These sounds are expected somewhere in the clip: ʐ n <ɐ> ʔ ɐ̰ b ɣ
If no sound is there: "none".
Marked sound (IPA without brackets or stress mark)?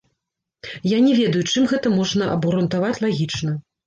ɐ